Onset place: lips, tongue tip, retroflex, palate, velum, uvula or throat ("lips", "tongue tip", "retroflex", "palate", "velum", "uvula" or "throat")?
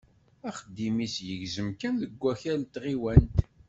uvula